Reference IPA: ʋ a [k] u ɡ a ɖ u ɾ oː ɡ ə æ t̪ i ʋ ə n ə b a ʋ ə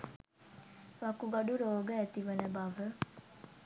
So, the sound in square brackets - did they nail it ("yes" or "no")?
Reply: yes